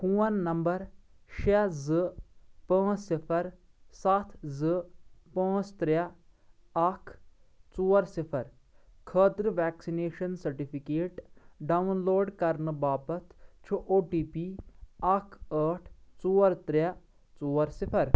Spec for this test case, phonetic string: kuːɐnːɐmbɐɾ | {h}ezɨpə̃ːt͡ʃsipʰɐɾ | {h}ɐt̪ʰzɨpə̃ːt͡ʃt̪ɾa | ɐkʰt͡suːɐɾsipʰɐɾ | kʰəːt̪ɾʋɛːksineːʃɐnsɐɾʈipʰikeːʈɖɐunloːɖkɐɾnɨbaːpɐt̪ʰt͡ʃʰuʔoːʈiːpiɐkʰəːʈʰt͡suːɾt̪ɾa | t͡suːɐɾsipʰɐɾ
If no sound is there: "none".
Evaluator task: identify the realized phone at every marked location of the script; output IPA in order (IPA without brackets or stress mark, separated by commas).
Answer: ʃ, s